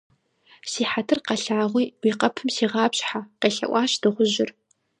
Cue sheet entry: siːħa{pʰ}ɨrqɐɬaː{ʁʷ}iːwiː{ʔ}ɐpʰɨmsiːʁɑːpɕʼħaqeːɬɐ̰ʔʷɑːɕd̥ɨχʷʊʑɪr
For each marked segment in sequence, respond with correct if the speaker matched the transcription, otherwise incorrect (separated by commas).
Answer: incorrect, correct, incorrect